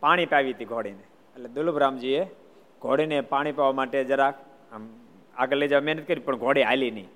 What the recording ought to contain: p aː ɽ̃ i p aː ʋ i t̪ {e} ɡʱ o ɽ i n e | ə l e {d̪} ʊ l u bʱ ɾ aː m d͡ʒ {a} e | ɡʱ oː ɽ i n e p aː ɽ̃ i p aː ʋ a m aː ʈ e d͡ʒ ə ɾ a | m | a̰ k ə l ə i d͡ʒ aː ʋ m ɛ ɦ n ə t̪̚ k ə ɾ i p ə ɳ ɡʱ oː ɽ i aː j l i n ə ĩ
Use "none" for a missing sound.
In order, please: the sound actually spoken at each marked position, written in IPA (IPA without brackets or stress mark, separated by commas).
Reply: i, d̪, i